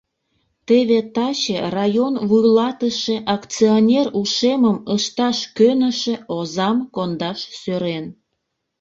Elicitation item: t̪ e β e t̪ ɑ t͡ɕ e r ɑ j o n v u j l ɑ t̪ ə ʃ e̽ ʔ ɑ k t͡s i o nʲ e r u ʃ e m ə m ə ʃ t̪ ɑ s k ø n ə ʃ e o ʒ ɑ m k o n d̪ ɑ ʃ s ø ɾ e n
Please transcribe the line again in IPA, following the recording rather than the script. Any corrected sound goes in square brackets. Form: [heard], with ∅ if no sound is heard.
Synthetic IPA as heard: t̪ e β e t̪ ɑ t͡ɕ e r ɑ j o n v u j l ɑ t̪ ə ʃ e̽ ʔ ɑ k t͡s i o nʲ e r u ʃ e m ə m ə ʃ t̪ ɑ [ʃ] k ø n ə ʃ e o [z] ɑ m k o n d̪ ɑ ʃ s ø ɾ e n